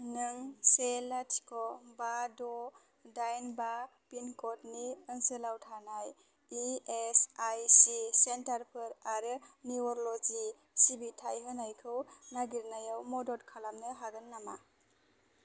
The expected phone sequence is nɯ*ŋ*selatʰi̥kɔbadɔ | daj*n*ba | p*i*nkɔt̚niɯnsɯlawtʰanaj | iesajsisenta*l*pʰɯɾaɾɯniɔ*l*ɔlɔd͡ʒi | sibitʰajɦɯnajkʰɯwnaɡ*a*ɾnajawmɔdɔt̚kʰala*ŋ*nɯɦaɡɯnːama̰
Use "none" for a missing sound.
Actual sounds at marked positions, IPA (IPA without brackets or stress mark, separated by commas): ŋ, n, i, ɾ, ɾ, i, m